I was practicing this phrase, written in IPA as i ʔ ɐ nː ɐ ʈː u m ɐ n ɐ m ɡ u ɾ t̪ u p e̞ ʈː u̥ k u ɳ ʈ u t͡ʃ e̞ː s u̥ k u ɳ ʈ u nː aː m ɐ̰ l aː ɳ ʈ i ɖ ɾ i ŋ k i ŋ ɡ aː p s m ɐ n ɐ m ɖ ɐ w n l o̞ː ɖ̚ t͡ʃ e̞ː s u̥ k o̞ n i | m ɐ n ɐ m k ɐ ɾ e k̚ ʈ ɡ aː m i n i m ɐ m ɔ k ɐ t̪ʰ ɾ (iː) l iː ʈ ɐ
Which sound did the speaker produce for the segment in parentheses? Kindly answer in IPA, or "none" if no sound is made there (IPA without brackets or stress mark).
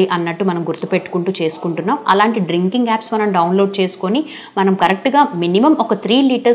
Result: iː